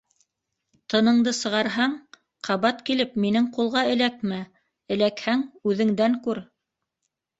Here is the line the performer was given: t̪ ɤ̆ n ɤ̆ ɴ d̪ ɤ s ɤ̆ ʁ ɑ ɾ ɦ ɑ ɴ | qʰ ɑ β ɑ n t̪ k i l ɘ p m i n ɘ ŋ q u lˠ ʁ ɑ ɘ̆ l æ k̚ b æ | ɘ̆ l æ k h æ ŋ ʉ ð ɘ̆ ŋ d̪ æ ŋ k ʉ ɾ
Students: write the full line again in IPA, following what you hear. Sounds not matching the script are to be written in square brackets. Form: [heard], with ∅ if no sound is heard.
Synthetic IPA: t̪ ɤ̆ n ɤ̆ ɴ d̪ ɤ s ɤ̆ ʁ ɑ ɾ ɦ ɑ ɴ | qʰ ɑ β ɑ [∅] t̪ k i l ɘ p m i n ɘ ŋ q u lˠ ʁ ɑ ɘ̆ l æ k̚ [m] æ | ɘ̆ l æ k h æ ŋ ʉ ð ɘ̆ ŋ d̪ æ ŋ k ʉ ɾ